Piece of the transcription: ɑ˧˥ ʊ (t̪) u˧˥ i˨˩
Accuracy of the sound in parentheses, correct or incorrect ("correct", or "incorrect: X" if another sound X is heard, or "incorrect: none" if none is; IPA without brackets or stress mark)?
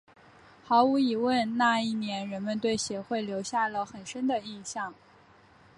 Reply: incorrect: none